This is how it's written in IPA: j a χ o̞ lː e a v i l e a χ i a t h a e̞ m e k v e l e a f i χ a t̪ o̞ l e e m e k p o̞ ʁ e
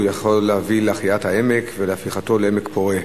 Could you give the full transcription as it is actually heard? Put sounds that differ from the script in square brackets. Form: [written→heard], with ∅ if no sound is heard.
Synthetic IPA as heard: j a χ o̞ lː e a v i l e a χ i a t h a e̞ m e k v e l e a f i χ a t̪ o̞ l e e m e k p o̞ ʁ e